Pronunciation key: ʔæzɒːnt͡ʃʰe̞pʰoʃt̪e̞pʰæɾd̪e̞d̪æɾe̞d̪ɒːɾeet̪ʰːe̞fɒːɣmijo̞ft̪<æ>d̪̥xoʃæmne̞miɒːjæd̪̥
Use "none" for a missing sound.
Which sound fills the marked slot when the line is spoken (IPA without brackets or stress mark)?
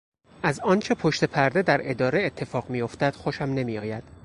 æ